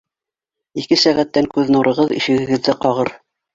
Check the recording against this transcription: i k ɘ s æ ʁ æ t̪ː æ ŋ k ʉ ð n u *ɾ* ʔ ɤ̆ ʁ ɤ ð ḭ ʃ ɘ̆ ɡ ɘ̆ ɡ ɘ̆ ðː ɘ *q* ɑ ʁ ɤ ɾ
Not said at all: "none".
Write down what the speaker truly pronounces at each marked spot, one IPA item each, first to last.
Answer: ɾ, q

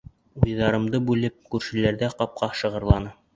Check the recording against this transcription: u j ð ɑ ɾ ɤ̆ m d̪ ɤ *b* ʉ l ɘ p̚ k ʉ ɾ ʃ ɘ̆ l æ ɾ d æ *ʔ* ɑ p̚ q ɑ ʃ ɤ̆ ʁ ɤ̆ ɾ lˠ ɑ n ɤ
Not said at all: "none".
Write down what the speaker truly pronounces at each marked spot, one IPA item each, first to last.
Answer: b, q

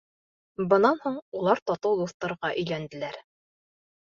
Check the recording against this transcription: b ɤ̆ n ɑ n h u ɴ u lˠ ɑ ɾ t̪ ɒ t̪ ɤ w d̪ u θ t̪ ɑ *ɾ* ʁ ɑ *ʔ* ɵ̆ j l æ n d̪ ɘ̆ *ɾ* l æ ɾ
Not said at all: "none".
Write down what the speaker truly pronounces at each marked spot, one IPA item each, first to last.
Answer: ɾ, ʔ, none

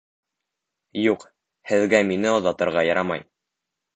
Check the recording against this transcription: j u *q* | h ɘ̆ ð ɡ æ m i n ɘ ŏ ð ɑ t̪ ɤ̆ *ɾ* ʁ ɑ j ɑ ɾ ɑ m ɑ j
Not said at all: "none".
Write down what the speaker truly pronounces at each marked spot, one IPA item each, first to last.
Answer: q, ɾ

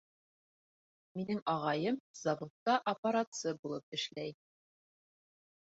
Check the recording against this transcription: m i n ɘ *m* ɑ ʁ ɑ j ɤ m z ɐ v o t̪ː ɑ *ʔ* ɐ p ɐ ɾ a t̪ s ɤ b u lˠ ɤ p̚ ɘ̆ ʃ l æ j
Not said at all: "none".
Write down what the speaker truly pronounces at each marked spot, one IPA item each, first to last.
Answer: ŋ, ʔ

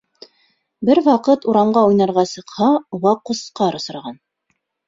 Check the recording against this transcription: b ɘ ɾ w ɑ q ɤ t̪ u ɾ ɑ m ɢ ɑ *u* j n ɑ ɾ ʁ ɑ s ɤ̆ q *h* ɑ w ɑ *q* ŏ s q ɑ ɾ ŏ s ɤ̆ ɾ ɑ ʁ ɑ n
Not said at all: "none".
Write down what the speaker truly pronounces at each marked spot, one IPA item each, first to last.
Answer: u, h, q

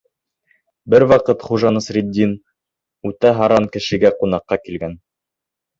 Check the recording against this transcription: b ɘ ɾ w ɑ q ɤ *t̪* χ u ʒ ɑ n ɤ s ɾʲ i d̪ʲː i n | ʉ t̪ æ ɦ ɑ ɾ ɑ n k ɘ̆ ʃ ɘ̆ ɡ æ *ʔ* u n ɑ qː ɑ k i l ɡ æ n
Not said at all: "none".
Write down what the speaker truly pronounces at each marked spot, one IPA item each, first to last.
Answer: t̪, q

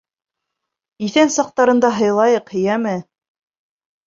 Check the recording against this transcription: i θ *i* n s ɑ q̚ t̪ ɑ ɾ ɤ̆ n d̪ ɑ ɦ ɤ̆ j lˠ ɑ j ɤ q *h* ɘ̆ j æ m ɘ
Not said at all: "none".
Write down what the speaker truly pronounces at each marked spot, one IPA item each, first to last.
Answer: æ, h

